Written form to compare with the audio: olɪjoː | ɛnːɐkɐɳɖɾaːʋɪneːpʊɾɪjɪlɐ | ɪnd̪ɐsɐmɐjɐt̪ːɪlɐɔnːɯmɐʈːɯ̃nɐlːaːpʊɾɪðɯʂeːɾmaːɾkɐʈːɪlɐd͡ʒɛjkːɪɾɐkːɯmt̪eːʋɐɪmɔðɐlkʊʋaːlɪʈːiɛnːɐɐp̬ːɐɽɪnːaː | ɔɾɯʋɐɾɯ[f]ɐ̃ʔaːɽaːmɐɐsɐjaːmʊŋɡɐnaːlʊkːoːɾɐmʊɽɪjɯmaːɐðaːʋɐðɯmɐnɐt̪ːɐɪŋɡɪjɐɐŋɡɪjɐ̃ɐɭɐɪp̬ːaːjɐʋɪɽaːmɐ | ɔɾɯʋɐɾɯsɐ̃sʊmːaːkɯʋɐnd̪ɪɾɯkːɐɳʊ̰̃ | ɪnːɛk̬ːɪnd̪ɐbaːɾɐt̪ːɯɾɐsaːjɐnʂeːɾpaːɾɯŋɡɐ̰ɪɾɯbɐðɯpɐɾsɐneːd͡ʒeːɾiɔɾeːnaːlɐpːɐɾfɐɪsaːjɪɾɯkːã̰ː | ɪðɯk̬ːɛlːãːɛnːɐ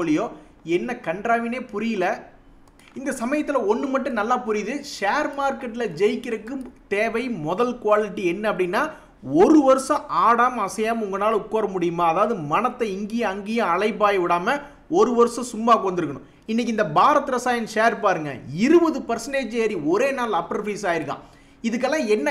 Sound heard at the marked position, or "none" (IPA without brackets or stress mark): s